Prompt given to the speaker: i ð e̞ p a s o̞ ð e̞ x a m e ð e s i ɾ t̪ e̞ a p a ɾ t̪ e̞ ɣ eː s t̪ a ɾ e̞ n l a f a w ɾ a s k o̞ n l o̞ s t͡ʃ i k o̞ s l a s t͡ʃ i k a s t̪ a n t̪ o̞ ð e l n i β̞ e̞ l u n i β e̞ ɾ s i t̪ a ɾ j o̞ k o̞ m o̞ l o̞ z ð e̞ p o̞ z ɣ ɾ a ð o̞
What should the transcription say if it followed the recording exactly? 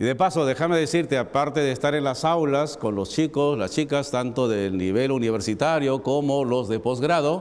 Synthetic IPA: i ð e̞ p a s o̞ ð e̞ x a m e ð e s i ɾ t̪ e̞ a p a ɾ t̪ e̞ ð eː s t̪ a ɾ e̞ n l a s a w l a s k o̞ n l o̞ s t͡ʃ i k o̞ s l a s t͡ʃ i k a s t̪ a n t̪ o̞ ð e l n i β̞ e̞ l u n i β e̞ ɾ s i t̪ a ɾ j o̞ k o̞ m o̞ l o̞ z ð e̞ p o̞ z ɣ ɾ a ð o̞

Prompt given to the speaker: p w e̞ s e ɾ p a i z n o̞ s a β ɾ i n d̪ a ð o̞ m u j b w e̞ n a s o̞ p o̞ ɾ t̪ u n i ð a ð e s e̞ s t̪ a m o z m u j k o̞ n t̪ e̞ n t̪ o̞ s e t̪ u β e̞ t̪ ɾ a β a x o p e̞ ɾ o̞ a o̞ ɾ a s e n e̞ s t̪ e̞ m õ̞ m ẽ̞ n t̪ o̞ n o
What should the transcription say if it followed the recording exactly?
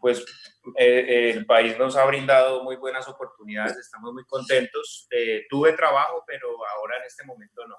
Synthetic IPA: p w e̞ s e l p a i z n o̞ s a β ɾ i n d̪ a ð o̞ m u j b w e̞ n a s o̞ p o̞ ɾ t̪ u n i ð a ð e s e̞ s t̪ a m o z m u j k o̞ n t̪ e̞ n t̪ o̞ s e t̪ u β e̞ t̪ ɾ a β a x o p e̞ ɾ o̞ a o̞ ɾ a e n e̞ s t̪ e̞ m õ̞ m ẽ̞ n t̪ o̞ n o

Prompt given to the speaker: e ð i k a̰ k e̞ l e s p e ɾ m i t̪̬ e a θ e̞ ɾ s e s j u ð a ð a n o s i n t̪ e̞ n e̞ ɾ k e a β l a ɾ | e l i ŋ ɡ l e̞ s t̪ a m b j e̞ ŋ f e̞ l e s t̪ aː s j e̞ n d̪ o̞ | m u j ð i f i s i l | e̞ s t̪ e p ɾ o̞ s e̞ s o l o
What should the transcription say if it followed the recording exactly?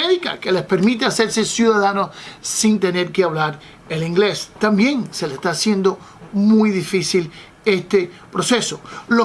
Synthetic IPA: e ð i k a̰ k e̞ l e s p e ɾ m i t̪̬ e a s e̞ ɾ s e s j u ð a ð a n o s i n t̪ e̞ n e̞ ɾ k e a β l a ɾ | e l i ŋ ɡ l e̞ s t̪ a m b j e̞ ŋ s e̞ l e s t̪ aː s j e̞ n d̪ o̞ | m u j ð i f i s i l | e̞ s t̪ e p ɾ o̞ s e̞ s o l o

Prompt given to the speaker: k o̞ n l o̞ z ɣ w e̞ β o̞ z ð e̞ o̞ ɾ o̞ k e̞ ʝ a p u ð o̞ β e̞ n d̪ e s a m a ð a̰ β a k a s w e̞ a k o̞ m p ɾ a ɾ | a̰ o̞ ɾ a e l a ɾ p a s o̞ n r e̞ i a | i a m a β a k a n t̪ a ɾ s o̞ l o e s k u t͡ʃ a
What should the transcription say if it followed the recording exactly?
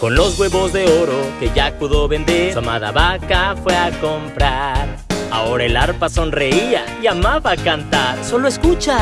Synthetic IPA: k o̞ n l o̞ z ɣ w e̞ β o̞ z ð e̞ o̞ ɾ o̞ k e̞ ʝ a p u ð o̞ β e̞ n d̪ e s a m a ð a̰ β a k a f w e̞ a k o̞ m p ɾ a ɾ | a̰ o̞ ɾ a e l a ɾ p a s o̞ n r e̞ i a | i a m a β a k a n t̪ a ɾ s o̞ l o e s k u t͡ʃ a

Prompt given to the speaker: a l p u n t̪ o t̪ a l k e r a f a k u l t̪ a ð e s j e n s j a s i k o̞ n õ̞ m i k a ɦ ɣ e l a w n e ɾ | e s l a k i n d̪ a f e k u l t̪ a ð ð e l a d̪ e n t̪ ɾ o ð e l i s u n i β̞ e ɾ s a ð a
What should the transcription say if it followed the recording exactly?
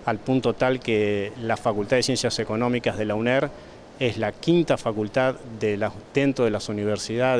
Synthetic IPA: a l p u n t̪ o t̪ a l k e l a f a k u l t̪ a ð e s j e n s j a s e k o̞ n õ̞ m i k a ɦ ð e l a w n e ɾ | e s l a k i n t̪ a f a k u l t̪ a ð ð e l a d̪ e n t̪ ɾ o ð e l a s u n i β̞ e ɾ s i ð a

